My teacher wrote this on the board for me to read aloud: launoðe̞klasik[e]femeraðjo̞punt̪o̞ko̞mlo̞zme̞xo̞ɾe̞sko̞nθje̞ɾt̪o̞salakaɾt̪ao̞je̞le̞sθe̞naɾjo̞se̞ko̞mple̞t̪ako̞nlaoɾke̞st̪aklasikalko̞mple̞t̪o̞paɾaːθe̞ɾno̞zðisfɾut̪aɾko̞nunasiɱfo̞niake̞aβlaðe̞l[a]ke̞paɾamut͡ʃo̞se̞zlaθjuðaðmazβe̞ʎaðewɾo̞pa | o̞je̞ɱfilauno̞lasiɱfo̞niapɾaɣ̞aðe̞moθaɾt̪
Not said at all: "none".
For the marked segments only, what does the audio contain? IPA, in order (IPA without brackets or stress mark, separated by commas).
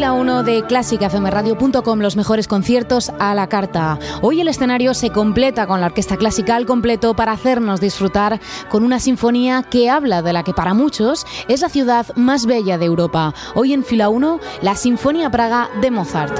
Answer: a, a